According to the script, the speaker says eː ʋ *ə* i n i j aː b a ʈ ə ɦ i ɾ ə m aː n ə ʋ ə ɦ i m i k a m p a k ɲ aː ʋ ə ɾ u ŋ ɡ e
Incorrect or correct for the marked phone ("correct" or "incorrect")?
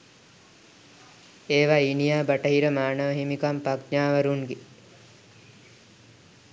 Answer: incorrect